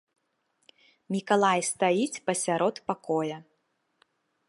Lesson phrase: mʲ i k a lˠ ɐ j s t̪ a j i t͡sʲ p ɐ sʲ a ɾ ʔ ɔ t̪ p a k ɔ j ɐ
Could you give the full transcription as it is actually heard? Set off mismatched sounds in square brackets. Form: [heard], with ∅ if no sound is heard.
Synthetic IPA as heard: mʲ i k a lˠ [a] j s t̪ a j i t͡sʲ p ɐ sʲ a ɾ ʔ ɔ t̪ p a k ɔ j ɐ